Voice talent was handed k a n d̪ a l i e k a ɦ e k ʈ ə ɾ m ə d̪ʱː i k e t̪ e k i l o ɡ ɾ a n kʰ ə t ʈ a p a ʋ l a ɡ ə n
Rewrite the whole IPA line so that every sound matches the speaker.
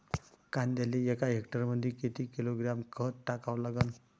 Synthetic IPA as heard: k a n d̪ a l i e k a ɦ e k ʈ ə ɾ m ə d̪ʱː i k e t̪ i k i l o ɡ ɾ a m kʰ ə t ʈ a k a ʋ l a ɡ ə n